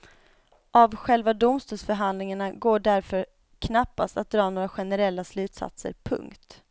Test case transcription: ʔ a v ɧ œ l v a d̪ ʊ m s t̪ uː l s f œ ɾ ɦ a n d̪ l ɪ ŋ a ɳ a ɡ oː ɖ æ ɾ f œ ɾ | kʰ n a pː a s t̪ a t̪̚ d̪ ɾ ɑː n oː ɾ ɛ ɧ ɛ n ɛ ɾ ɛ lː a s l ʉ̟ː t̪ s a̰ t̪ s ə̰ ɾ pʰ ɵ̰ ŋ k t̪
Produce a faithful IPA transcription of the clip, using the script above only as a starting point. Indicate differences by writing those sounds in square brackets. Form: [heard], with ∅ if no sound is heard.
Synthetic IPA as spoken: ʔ a v ɧ [ɛ] l v a d̪ ʊ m s t̪ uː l s f œ ɾ ɦ a n d̪ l ɪ ŋ a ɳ a ɡ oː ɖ æ ɾ f œ ɾ | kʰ n a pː a s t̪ a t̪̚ d̪ ɾ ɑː n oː ɾ [a] ɧ ɛ n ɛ ɾ ɛ lː a s l ʉ̟ː t̪ s a̰ t̪ s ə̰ ɾ pʰ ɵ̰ ŋ k t̪

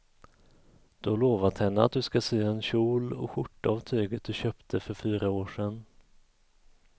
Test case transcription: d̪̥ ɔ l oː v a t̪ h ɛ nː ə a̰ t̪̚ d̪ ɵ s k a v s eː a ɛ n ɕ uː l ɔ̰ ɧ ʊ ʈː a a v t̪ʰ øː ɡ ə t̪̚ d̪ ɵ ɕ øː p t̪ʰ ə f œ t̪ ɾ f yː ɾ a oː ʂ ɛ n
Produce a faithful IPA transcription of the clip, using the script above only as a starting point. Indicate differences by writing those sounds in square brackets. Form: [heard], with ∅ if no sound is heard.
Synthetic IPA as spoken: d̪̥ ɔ l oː v a t̪ h ɛ nː ə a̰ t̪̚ d̪ ɵ s k a [∅] s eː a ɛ n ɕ uː l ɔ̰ ɧ ʊ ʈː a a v t̪ʰ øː ɡ ə t̪̚ d̪ ɵ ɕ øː p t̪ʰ ə f œ [∅] ɾ f yː ɾ a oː ʂ ɛ n

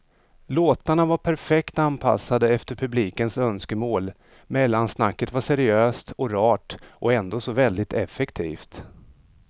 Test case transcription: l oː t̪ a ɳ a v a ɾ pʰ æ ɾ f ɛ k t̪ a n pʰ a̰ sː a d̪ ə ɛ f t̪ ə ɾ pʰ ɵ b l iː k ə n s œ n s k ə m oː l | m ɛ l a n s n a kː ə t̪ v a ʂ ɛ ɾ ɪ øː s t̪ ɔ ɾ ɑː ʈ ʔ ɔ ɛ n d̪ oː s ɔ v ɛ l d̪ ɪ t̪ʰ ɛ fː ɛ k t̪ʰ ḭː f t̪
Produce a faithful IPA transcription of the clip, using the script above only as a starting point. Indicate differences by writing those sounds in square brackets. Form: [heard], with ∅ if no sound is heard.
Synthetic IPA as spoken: l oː t̪ a ɳ a v a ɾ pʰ æ ɾ f ɛ k t̪ a n pʰ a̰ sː a d̪ ə ɛ f t̪ ə ɾ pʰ ɵ b l iː k ə n s œ n s k ə m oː l | m ɛ [lː] a n s n a kː ə t̪ v a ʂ ɛ ɾ ɪ øː s t̪ ɔ ɾ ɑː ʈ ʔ ɔ ɛ n d̪ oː s ɔ v ɛ l d̪ ɪ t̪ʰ ɛ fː ɛ k t̪ʰ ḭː f t̪

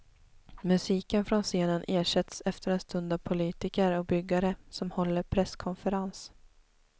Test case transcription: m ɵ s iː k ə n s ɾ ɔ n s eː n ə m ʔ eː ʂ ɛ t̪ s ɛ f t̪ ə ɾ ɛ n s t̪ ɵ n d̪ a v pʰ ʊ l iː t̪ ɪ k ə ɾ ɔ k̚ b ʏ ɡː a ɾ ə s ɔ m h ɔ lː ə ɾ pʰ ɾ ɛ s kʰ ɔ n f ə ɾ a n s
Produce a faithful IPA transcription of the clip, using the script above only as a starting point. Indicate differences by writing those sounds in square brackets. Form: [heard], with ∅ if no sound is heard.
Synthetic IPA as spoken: m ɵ s iː k ə n [f] ɾ ɔ n s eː n ə [n] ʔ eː ʂ ɛ t̪ s ɛ f t̪ ə ɾ ɛ n s t̪ ɵ n d̪ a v pʰ ʊ l iː t̪ ɪ k ə ɾ ɔ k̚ b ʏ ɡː a ɾ ə s ɔ m h ɔ lː ə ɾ pʰ ɾ ɛ s kʰ ɔ n f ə ɾ a n s

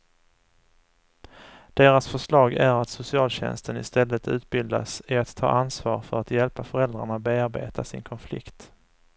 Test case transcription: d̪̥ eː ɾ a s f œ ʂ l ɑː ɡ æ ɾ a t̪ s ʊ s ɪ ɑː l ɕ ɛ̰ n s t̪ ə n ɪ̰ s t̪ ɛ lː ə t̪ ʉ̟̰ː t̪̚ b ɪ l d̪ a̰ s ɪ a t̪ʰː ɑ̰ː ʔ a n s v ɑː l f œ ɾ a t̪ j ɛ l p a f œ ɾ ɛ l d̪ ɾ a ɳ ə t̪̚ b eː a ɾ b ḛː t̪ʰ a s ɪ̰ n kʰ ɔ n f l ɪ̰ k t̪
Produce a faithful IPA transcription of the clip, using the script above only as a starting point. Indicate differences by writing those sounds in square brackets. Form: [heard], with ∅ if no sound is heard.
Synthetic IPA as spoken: d̪̥ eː ɾ a s f œ ʂ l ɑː ɡ æ ɾ a t̪ s ʊ s ɪ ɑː l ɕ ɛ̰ n s t̪ ə n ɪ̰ s t̪ ɛ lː ə t̪ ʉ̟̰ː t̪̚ b ɪ l d̪ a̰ s ɪ a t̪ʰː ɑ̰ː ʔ a n s v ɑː [ɾ] f œ ɾ a t̪ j ɛ l p a f œ ɾ ɛ l d̪ ɾ a ɳ [a] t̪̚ b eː a ɾ b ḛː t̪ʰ a s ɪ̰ n kʰ ɔ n f l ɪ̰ k t̪

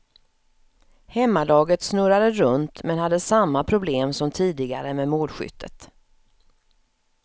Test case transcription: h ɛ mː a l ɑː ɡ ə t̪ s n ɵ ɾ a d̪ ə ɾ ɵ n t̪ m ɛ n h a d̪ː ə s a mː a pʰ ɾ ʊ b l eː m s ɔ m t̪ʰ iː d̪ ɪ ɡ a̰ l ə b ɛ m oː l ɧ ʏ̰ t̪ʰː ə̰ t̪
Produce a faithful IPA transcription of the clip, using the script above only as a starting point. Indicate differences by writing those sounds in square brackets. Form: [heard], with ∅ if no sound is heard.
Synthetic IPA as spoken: h ɛ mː a l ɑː ɡ ə t̪ s n ɵ ɾ a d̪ ə ɾ ɵ n t̪ m ɛ n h a d̪ː ə s a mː a pʰ ɾ ʊ b l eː m s ɔ m t̪ʰ iː d̪ ɪ ɡ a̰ [ɾ] ə [m] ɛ m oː l ɧ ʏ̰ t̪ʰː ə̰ t̪

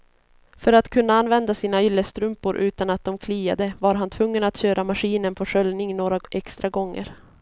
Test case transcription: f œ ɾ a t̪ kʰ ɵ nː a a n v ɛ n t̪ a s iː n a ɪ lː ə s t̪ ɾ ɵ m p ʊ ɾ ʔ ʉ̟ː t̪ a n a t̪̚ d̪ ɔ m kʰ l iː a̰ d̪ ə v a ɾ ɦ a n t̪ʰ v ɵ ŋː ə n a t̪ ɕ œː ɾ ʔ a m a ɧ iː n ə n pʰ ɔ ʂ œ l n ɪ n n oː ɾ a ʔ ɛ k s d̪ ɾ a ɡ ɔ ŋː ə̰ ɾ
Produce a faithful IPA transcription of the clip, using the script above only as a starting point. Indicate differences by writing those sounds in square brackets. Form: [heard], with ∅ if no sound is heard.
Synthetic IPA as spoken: f œ ɾ a t̪ kʰ ɵ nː a a n v ɛ n [d̪] a s iː n a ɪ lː ə s t̪ ɾ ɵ m p ʊ ɾ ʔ ʉ̟ː t̪ a n a t̪̚ d̪ ɔ m kʰ l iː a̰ d̪ ə v a ɾ ɦ a n t̪ʰ v ɵ ŋː ə n a t̪ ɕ [øː] ɾ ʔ a m a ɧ iː n ə n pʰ ɔ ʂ œ l n ɪ [ŋ] n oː ɾ a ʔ ɛ k s [t̪] ɾ a ɡ ɔ ŋː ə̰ ɾ

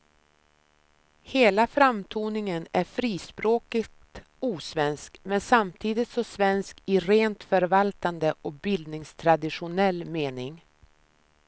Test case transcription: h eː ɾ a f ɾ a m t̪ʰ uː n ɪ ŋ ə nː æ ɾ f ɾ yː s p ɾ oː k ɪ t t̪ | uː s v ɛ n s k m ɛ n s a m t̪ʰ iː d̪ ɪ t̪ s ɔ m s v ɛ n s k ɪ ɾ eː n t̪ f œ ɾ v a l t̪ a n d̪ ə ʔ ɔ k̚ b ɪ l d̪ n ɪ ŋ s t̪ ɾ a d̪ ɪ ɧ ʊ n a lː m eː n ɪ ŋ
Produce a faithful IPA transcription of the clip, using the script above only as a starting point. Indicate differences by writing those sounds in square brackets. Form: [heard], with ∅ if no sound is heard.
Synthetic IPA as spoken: h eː [l] a f ɾ a m t̪ʰ uː n ɪ ŋ ə [n] æ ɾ f ɾ [iː] s p ɾ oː k ɪ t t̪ | uː s v ɛ n s k m ɛ n s a m t̪ʰ iː d̪ ɪ t̪ s ɔ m s v ɛ n s k ɪ ɾ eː n t̪ f œ ɾ v a l t̪ a n d̪ ə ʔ ɔ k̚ b ɪ l d̪ n ɪ ŋ s [t̪ʰ] ɾ a d̪ ɪ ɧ ʊ n [ɛ] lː m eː n ɪ ŋ

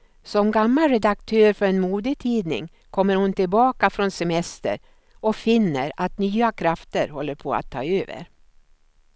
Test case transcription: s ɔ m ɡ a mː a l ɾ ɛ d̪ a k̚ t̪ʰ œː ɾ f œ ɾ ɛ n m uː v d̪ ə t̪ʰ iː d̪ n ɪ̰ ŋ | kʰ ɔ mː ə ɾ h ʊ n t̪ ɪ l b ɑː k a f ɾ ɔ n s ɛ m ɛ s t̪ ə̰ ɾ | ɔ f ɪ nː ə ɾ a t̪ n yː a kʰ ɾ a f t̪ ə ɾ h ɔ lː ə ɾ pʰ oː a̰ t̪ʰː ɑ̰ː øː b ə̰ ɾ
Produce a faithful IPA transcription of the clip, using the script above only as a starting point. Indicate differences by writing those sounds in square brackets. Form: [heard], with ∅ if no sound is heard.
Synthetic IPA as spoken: s ɔ m ɡ a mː a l ɾ ɛ d̪ a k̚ t̪ʰ [øː] ɾ f œ ɾ ɛ n m uː [∅] d̪ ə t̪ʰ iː d̪ n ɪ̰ ŋ | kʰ ɔ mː ə ɾ h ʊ n t̪ ɪ l b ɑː k a f ɾ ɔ n s ɛ m ɛ s t̪ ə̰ ɾ | ɔ f ɪ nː ə ɾ a t̪ n yː a kʰ ɾ a f t̪ ə ɾ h ɔ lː ə ɾ pʰ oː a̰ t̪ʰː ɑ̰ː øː [v] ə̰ ɾ

